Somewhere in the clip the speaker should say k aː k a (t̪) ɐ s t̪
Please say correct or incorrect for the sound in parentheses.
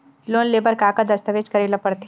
incorrect: d̪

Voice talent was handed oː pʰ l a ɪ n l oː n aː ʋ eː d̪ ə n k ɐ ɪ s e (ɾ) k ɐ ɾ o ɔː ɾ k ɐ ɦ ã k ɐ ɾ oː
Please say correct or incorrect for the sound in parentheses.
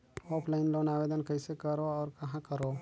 incorrect: none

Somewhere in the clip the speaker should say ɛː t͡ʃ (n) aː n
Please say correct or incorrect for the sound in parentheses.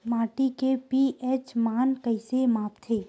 incorrect: m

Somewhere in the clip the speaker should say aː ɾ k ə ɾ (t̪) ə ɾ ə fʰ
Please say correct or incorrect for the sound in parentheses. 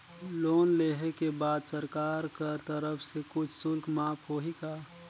correct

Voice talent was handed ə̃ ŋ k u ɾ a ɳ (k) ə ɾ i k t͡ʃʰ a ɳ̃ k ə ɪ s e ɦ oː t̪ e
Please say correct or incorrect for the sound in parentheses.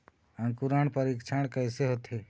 incorrect: p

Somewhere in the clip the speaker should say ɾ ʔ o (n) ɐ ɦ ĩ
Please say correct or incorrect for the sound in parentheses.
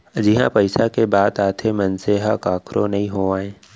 correct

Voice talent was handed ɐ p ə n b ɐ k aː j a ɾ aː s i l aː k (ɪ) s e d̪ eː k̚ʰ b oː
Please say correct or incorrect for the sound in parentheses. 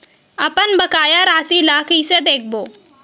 incorrect: i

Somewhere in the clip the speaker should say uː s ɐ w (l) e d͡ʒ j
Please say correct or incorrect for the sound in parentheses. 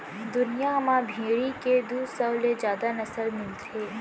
correct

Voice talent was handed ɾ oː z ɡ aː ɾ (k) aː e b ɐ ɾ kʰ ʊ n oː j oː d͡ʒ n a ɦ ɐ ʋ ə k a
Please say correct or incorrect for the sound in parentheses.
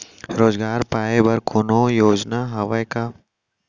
incorrect: p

